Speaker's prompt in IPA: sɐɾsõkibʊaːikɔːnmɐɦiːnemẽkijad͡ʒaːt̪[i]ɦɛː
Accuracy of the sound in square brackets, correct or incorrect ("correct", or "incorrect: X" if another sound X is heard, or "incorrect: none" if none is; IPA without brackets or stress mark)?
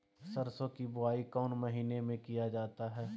incorrect: a